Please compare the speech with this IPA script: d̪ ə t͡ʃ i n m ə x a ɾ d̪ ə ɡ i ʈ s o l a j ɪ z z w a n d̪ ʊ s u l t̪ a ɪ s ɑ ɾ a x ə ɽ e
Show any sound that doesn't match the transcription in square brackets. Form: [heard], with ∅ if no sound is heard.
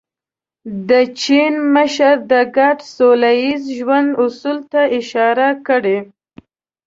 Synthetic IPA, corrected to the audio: d̪ ə t͡ʃ i n m ə [ʃ] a ɾ d̪ ə ɡ [a] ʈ s o l a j [i] z [ʒ] w a n d̪ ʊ s u l t̪ a ɪ [ʃ] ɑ ɾ a [k] ə ɽ e